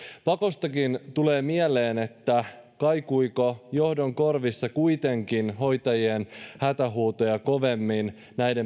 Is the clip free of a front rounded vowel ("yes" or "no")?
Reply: yes